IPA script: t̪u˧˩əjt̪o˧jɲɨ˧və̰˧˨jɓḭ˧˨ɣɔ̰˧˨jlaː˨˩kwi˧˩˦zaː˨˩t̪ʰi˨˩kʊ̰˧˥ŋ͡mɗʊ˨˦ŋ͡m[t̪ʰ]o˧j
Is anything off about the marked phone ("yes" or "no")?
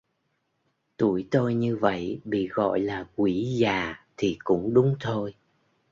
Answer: no